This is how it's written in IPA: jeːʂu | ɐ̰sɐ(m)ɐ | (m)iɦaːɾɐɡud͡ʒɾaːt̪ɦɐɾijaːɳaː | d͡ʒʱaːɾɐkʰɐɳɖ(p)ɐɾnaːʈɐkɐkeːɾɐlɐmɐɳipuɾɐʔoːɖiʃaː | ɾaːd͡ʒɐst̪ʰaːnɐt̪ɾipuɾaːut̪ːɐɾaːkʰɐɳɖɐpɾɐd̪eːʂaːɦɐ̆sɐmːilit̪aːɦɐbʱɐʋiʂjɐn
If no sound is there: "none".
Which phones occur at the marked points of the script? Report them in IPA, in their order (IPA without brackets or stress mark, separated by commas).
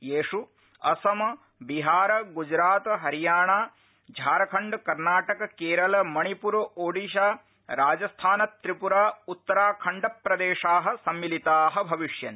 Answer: m, b, k